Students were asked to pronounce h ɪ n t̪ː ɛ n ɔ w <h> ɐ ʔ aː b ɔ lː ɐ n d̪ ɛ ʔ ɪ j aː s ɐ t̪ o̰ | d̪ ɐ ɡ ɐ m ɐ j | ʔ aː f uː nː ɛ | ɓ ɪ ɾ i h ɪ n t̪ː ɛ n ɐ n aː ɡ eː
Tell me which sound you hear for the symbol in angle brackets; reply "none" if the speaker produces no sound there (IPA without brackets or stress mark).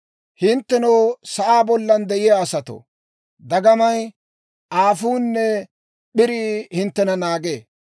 s